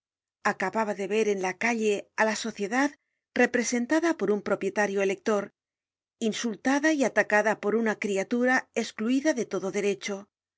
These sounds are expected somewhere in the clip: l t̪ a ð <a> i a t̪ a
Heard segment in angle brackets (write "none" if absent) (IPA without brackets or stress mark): a